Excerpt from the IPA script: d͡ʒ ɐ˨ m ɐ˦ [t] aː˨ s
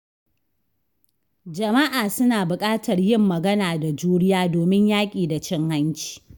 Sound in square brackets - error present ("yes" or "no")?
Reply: yes